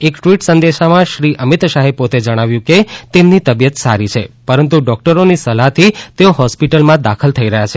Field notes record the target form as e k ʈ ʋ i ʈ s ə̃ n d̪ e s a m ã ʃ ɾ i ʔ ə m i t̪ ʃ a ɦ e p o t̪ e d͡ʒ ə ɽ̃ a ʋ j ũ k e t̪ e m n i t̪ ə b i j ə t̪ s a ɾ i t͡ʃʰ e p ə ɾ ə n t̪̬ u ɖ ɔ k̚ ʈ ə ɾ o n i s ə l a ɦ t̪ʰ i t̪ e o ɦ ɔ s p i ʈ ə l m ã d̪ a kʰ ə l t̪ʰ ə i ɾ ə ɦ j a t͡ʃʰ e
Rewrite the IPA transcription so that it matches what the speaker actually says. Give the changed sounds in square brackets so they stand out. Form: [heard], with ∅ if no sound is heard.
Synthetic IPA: e k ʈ ʋ i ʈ s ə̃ n d̪ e [ʃ] a m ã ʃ ɾ i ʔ ə m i t̪ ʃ a ɦ e p o t̪ e d͡ʒ ə ɽ̃ a ʋ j ũ k e t̪ e m n i t̪ ə b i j ə t̪ s a ɾ i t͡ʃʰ e p ə ɾ ə n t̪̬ u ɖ ɔ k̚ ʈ ə ɾ o n i s ə l a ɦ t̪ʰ i t̪ e o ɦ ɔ s p i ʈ ə l m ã d̪ a kʰ ə l t̪ʰ ə i ɾ ə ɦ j a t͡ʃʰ e